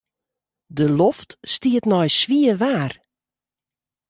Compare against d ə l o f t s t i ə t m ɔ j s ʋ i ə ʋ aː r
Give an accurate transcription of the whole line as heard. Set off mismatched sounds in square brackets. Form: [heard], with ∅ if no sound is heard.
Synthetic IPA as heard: d ə l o f t s t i ə t [n] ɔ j s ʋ i ə ʋ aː r

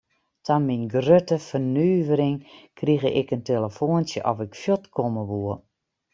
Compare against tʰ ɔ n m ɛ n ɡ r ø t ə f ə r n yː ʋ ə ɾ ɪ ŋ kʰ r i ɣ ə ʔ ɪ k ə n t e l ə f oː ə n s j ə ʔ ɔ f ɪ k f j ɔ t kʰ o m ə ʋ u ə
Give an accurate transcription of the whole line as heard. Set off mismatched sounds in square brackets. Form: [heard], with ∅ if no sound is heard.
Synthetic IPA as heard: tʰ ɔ n m [i] n ɡ r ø t ə f ə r n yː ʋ ə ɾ ɪ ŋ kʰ r i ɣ ə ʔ ɪ k ə n t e l ə f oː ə n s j ə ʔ ɔ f ɪ k f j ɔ t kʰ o m ə ʋ u ə

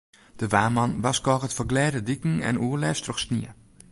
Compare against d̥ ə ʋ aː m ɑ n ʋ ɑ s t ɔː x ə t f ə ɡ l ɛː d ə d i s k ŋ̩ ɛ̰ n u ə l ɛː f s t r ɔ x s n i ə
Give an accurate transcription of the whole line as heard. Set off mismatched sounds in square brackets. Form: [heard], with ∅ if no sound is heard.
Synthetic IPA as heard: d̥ ə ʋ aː m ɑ n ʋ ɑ s [k] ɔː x ə t f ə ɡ l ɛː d ə d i [∅] k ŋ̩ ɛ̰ n u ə l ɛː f s t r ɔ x s n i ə

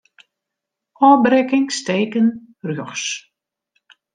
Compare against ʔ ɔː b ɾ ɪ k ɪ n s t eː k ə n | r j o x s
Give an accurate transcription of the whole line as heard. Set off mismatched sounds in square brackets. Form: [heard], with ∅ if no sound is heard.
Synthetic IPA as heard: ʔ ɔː b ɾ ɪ k ɪ [ŋ] s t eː k ə n | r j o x s

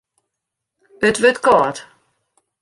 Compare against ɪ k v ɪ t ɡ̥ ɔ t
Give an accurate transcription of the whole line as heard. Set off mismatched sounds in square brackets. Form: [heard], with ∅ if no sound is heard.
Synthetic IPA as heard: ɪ [t] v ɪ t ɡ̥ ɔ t

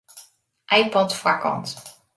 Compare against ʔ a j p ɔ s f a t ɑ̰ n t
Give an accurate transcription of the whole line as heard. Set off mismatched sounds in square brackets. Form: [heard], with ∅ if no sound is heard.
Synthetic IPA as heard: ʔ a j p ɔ [t] f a [k] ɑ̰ n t

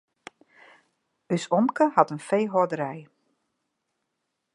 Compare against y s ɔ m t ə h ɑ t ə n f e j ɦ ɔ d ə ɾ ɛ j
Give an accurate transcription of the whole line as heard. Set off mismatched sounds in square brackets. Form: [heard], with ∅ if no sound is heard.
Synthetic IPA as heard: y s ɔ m [k] ə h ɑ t ə n f e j ɦ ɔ d ə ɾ ɛ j

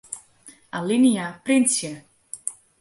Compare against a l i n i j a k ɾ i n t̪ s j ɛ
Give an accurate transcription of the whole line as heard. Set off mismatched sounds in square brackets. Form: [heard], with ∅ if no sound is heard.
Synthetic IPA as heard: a l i n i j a [p] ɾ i n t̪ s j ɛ

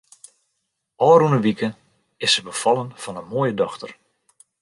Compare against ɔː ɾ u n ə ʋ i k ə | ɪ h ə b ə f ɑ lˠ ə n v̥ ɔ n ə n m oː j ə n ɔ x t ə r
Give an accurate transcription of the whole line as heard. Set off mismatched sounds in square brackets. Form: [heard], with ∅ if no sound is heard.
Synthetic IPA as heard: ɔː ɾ u n ə ʋ i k ə | ɪ [s] ə b ə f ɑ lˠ ə n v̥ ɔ n ə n m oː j ə [d] ɔ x t ə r

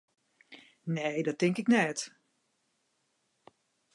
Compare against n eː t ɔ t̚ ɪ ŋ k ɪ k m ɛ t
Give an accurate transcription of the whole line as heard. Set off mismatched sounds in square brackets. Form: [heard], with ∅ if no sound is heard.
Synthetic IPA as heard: n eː [d] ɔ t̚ ɪ ŋ k ɪ k [n] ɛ t

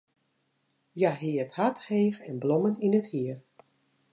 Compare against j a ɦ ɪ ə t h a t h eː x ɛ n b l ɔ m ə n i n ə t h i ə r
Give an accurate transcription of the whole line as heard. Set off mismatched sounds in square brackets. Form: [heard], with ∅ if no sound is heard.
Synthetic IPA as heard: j a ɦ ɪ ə t h a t h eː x ɛ n b l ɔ m ə n i n ə t h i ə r

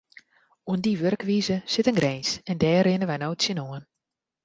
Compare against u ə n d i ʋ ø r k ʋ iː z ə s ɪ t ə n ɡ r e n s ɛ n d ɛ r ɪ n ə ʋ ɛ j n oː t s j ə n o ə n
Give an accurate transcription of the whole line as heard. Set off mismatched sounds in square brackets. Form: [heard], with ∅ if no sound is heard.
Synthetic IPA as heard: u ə n d i ʋ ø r k ʋ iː z ə s ɪ t ə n ɡ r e n s ɛ n d [ɛː] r ɪ n ə ʋ ɛ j n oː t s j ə n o ə n

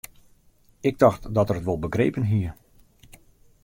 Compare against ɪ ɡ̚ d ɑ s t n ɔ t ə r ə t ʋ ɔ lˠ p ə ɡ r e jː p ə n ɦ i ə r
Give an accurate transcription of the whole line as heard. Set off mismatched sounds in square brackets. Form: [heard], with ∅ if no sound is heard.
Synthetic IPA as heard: ɪ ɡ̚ d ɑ [x] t [d] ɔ t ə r ə t ʋ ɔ lˠ [b] ə ɡ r e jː p ə n ɦ i ə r

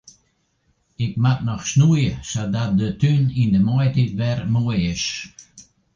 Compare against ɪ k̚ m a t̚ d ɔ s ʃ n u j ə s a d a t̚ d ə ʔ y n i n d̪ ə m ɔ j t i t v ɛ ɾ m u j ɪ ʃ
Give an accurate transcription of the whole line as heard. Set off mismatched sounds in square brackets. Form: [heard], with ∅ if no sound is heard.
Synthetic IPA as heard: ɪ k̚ m a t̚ [n] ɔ [x] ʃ n u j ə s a d a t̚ d ə [t] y n i n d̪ ə m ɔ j t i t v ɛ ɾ m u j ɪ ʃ

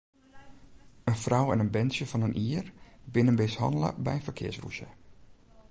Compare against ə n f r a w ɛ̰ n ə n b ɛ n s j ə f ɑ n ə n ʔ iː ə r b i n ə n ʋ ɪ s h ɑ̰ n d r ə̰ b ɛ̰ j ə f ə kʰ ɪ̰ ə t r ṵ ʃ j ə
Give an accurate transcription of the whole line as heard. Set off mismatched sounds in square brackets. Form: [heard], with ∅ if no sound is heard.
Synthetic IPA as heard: ə n f r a w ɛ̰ n ə n b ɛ n s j ə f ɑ n ə n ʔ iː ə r b [ɪ] n ə n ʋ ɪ s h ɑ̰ n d [l] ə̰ b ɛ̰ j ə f ə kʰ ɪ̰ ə [s] r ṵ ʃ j ə

